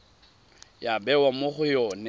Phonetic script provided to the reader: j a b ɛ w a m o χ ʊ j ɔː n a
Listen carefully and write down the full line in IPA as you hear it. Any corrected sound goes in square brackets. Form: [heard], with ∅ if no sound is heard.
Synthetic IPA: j a b ɛ w a m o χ ʊ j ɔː n [ɛ]